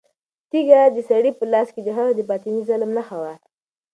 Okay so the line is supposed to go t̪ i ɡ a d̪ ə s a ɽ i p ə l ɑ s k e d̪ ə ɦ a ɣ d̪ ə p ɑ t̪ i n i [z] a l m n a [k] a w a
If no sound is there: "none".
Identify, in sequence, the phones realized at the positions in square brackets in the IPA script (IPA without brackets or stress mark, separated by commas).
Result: z, x